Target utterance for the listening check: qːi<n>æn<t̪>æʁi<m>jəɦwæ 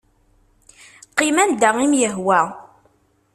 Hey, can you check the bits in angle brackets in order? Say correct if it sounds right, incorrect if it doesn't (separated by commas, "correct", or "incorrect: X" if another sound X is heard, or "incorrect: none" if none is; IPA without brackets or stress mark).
incorrect: m, incorrect: d̪, correct